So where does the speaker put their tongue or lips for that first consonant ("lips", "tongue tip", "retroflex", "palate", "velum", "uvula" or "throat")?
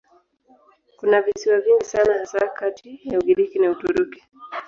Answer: velum